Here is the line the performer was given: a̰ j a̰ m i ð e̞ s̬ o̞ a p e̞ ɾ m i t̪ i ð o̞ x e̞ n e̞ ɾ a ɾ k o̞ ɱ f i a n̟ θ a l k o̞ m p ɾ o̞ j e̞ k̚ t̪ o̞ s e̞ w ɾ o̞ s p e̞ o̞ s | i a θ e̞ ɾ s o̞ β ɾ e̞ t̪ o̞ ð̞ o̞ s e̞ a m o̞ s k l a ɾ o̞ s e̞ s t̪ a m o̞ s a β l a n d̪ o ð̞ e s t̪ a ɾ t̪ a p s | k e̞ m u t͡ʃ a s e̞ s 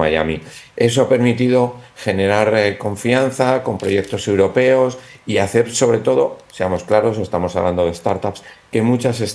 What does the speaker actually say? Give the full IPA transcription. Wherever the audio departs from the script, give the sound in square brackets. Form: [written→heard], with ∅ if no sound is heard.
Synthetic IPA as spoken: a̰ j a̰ m i [ð→∅] e̞ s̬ o̞ a p e̞ ɾ m i t̪ i ð o̞ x e̞ n e̞ ɾ a ɾ k o̞ ɱ f i a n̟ θ a [l→∅] k o̞ m p ɾ o̞ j e̞ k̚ t̪ o̞ s e̞ w ɾ o̞ [s→∅] p e̞ o̞ s | i a θ e̞ ɾ s o̞ β ɾ e̞ t̪ o̞ ð̞ o̞ s e̞ a m o̞ s k l a ɾ o̞ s e̞ s t̪ a m o̞ s a β l a n d̪ o ð̞ e s t̪ a ɾ t̪ a p s | k e̞ m u t͡ʃ a s e̞ s